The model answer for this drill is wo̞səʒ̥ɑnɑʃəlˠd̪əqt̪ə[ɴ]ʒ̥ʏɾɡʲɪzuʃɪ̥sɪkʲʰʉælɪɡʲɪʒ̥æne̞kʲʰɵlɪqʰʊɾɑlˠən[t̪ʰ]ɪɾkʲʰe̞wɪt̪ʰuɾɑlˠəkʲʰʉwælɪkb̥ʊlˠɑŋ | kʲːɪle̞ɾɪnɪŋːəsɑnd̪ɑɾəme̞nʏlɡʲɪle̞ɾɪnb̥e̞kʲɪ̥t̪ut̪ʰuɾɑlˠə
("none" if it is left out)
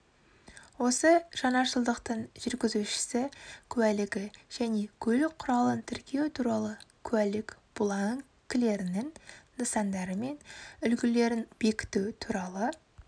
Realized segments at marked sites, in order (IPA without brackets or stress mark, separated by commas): ɴ, t̪ʰ